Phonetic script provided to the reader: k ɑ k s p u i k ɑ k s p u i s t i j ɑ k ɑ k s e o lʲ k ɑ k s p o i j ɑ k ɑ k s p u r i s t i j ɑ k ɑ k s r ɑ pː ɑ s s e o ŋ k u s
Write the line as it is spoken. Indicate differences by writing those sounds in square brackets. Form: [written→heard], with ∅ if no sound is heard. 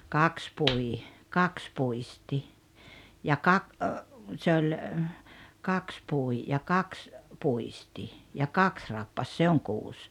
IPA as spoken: k ɑ k s p u i k ɑ k s p u i s t i j ɑ k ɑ k s e o lʲ k ɑ k s p [o→u] i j ɑ k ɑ k s p u [r→∅] i s t i j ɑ k ɑ k s r ɑ pː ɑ s s e o ŋ k [u→uː] s